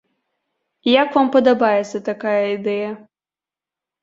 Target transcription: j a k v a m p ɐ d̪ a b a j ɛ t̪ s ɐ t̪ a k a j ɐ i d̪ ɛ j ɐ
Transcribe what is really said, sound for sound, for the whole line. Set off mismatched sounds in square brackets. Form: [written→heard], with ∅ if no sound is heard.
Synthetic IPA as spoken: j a k v a m p ɐ d̪ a b a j ɛ t̪ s ɐ t̪ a k a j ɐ i d̪ ɛ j ɐ